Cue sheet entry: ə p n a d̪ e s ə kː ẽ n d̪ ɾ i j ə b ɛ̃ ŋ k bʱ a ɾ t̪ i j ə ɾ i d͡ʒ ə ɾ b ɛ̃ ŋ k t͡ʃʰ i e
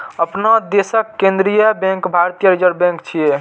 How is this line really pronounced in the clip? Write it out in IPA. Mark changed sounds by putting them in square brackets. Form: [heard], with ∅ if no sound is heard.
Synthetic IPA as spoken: ə p n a d̪ e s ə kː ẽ n d̪ ɾ i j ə b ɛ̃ ŋ k bʱ a ɾ t̪ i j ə ɾ i d͡ʒ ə ɾ b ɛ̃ ŋ k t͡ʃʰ i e